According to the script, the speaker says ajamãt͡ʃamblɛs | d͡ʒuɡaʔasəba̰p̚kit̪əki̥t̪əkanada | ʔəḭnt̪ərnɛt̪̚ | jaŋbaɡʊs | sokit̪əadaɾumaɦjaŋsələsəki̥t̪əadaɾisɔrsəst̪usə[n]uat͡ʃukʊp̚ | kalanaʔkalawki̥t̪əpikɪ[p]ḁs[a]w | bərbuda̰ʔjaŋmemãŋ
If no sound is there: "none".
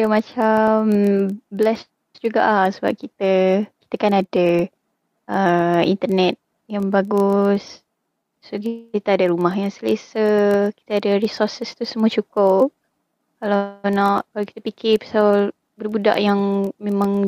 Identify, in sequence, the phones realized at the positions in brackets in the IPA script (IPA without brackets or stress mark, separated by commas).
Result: m, p, a